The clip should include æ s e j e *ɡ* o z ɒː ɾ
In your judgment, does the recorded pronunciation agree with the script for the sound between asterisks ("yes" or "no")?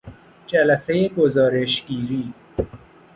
yes